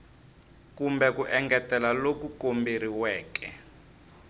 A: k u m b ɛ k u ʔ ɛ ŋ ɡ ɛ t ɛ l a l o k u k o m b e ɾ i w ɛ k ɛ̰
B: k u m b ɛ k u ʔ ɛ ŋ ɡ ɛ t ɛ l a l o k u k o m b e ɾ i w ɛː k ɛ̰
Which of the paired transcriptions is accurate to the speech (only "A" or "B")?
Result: B